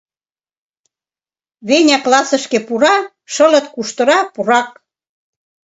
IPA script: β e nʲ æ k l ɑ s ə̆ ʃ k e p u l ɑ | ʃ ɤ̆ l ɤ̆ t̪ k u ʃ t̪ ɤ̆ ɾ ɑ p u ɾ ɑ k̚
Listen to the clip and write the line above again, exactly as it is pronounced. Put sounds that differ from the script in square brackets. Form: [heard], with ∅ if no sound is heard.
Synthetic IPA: β e nʲ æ k l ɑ s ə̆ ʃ k e p u [ɾ] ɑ | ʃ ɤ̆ l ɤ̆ t̪ k u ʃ t̪ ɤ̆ ɾ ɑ p u ɾ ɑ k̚

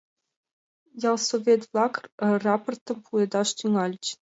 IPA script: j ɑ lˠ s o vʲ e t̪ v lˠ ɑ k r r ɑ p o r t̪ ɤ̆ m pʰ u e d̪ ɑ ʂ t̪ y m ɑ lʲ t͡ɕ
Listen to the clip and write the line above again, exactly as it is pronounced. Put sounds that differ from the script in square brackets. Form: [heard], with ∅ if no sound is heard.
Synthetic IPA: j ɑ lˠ s o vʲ e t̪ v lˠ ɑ k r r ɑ p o r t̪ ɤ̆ m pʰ u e d̪ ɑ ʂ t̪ y [ŋ] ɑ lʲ t͡ɕ

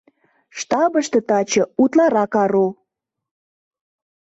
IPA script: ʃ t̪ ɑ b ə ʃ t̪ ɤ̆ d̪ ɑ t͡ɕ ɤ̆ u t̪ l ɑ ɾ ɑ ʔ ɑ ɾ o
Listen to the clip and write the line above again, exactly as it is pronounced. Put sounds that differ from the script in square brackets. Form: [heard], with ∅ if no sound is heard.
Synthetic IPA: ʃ t̪ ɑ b ə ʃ t̪ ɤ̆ [t̪] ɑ t͡ɕ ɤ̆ u t̪ l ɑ ɾ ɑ [k] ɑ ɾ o

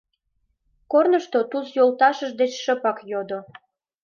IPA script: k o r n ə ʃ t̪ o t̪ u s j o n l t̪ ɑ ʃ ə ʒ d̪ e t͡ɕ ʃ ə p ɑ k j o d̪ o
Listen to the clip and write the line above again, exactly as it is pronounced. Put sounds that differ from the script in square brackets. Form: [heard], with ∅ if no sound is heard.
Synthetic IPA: k o r n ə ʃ t̪ o t̪ u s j o [∅] l t̪ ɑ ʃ ə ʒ d̪ e t͡ɕ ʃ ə p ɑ k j o d̪ o

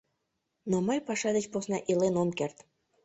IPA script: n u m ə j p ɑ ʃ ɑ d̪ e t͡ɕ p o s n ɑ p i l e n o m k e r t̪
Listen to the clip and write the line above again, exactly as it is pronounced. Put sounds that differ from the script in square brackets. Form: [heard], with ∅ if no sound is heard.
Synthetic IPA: n [o] m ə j p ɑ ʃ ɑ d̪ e t͡ɕ p o s n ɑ [ʔ] i l e n o m k e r t̪

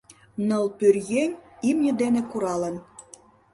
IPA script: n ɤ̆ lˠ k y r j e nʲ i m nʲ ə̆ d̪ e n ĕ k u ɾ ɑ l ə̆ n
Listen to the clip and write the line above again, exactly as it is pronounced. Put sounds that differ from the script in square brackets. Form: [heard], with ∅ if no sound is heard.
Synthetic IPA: n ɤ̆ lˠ [p] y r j e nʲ i m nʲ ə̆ d̪ e n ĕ k u ɾ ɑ l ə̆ n

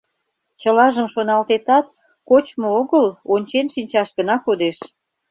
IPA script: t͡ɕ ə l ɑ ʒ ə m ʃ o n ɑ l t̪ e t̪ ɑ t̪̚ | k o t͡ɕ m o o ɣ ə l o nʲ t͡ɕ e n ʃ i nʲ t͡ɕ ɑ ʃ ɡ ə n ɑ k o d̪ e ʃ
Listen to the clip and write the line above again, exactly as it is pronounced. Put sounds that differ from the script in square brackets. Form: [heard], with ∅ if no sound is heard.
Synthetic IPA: t͡ɕ ə l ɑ ʒ ə m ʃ o n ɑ l t̪ e t̪ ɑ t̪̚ | k o t͡ɕ m o o ɣ ə l o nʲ t͡ɕ e n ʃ i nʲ t͡ɕ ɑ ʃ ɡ ə n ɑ k o d̪ e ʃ

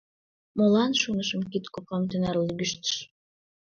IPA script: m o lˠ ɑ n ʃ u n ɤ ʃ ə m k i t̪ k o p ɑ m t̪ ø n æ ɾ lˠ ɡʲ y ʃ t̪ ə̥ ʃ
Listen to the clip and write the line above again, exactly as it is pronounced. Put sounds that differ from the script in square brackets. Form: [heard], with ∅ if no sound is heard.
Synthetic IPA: m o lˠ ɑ n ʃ u n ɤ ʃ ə m k i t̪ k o p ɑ m t̪ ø n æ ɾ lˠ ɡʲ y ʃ t̪ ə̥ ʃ

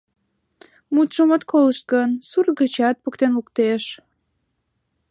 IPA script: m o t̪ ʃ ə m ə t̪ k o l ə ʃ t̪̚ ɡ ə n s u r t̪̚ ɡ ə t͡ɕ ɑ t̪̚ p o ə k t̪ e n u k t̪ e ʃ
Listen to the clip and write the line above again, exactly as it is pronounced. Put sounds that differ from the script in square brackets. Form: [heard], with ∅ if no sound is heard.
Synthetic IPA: m [u] t̪ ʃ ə m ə t̪ k o l ə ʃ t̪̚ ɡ ə n s u r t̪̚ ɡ ə t͡ɕ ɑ t̪̚ p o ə k t̪ e n u k t̪ e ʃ

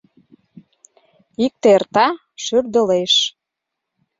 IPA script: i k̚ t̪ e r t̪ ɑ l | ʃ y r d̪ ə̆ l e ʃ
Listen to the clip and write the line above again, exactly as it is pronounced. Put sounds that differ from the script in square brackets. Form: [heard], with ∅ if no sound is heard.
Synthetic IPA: i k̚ t̪ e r t̪ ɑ [∅] | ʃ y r d̪ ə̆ l e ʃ

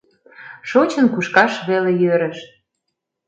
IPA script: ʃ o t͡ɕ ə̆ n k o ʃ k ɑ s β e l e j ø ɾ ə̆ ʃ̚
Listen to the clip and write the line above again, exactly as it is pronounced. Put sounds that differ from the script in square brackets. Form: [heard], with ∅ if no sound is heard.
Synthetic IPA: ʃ o t͡ɕ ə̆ n k [u] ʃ k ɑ [ʃ] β e l e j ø ɾ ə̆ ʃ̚

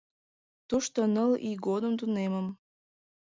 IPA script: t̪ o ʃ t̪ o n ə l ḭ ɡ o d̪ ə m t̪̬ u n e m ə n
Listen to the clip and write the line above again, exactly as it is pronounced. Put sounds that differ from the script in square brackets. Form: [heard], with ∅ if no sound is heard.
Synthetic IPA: t̪ [u] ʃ t̪ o n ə l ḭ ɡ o d̪ ə m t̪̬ u n e m ə [m]

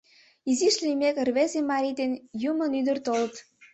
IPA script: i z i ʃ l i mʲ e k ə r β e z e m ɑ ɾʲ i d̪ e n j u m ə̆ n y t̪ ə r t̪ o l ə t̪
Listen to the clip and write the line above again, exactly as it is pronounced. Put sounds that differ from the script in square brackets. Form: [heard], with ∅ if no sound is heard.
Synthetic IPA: i z i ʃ l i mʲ e k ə r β e z e m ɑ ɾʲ i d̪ e n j u m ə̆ n y [d̪] ə r t̪ o l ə t̪

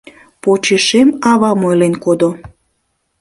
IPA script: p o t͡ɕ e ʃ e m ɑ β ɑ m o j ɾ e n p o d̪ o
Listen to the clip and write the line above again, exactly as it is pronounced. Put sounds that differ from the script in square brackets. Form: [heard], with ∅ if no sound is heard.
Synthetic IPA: p o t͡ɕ e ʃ e m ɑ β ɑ m o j [l] e n [k] o d̪ o

